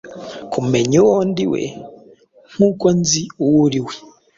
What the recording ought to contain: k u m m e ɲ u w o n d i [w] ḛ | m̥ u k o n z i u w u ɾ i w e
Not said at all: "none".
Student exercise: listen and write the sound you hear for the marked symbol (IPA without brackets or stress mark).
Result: w